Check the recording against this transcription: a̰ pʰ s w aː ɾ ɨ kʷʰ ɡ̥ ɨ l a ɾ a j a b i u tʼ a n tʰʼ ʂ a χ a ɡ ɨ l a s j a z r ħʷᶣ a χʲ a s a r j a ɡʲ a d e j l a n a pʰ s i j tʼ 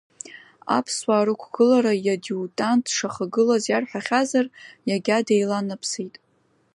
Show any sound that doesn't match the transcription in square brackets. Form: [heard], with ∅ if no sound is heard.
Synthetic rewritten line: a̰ pʰ s w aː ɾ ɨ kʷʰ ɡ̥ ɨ l a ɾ a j a [d] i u tʼ a n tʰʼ ʂ a χ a ɡ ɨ l a [z] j a [∅] r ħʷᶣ a χʲ a [z] a r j a ɡʲ a d e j l a n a pʰ s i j tʼ